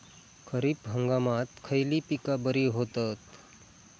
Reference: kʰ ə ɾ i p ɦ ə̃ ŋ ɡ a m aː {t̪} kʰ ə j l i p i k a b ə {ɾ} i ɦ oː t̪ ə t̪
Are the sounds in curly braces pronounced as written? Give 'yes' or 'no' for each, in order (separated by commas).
yes, yes